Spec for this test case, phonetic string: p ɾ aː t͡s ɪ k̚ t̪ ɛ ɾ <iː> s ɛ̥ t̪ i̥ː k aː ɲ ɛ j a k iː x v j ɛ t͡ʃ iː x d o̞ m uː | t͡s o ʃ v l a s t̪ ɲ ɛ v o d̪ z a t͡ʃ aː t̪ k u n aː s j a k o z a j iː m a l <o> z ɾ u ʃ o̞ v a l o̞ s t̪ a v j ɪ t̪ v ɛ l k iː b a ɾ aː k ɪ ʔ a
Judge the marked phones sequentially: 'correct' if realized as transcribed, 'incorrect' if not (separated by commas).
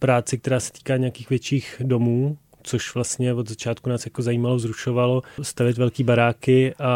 incorrect, correct